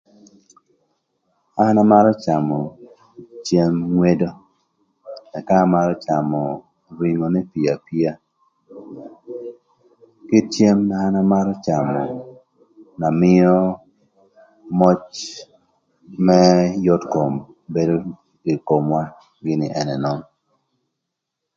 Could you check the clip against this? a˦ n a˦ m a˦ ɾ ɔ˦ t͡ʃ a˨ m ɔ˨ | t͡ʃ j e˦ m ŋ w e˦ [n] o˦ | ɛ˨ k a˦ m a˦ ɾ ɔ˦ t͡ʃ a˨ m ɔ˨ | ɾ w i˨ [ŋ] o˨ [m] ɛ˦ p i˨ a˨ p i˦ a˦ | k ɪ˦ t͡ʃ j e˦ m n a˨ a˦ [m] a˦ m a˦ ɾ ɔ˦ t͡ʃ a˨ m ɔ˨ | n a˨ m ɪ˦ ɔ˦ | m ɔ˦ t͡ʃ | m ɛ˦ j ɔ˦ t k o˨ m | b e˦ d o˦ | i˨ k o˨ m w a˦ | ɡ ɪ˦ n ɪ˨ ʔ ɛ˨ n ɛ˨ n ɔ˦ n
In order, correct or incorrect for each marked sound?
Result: incorrect, correct, incorrect, incorrect

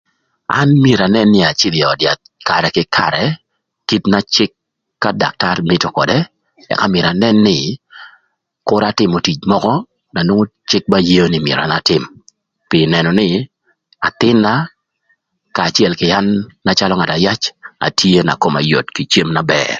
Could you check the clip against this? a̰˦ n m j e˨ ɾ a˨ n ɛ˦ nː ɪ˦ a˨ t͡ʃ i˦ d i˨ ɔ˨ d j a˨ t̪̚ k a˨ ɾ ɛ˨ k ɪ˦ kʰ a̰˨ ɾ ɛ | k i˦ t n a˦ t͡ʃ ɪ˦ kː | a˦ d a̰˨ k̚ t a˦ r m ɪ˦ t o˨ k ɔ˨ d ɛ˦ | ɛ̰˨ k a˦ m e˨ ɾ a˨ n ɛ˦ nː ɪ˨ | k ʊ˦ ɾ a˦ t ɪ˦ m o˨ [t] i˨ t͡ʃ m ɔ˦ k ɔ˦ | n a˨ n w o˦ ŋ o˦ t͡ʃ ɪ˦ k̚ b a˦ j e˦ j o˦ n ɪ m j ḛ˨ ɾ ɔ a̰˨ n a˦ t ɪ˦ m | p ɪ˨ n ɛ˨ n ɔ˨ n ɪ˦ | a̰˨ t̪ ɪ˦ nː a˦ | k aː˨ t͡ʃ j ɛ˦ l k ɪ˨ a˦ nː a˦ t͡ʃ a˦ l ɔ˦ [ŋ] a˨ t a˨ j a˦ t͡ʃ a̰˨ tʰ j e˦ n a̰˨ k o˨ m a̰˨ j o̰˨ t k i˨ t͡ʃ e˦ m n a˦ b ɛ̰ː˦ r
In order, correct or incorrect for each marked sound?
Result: correct, correct

